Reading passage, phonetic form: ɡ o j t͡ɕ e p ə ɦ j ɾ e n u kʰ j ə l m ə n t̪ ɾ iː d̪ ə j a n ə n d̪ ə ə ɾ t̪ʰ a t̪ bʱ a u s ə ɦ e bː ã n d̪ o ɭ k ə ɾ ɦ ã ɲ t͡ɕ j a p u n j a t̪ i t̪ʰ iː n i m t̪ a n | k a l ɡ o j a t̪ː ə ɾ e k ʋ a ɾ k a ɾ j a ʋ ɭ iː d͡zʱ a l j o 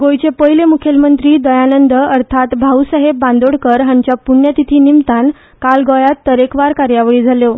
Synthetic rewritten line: ɡ o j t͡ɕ e p ə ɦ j l e m u kʰ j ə l m ə n t̪ ɾ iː d̪ ə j a n ə n d̪ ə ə ɾ t̪ʰ a t̪ bʱ a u s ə ɦ e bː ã n d̪ o ɽ k ə ɾ ɦ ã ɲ t͡ɕ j a p u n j a t̪ i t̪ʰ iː n i m t̪ a n | k a l ɡ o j a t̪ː ə ɾ e k ʋ a ɾ k a ɾ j a ʋ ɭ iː d͡zʱ a l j o